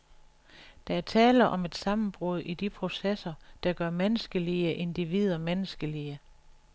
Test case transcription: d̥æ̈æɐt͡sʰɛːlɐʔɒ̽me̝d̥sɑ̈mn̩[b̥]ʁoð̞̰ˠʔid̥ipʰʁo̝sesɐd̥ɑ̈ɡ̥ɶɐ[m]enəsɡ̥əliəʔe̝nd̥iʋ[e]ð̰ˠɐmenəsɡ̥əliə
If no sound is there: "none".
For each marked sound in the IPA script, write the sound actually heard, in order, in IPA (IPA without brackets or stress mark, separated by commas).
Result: b̥, m, i